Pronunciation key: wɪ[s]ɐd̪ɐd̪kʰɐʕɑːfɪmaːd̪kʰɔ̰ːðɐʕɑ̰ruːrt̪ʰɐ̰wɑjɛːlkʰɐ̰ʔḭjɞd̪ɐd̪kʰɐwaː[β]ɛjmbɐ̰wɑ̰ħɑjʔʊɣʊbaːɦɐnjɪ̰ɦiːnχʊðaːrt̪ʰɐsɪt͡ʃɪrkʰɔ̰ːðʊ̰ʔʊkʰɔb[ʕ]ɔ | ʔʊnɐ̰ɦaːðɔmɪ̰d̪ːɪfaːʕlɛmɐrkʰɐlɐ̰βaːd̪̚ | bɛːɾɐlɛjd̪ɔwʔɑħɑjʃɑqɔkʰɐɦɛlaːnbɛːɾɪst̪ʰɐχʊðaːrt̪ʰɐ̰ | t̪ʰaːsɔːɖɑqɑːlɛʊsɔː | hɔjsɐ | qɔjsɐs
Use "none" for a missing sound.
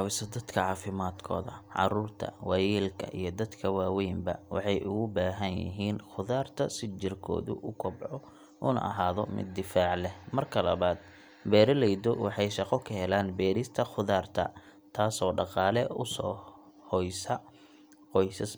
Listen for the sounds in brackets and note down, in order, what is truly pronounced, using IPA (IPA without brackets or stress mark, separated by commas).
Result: s, w, ʕ